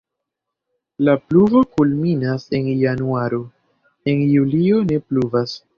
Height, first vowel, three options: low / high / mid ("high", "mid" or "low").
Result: low